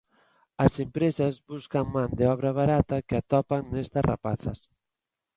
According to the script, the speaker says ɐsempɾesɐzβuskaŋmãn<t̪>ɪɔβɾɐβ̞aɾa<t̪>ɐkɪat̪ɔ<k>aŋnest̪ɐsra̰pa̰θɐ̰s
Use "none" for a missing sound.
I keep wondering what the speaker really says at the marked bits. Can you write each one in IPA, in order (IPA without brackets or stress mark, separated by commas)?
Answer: d̪, t̪, p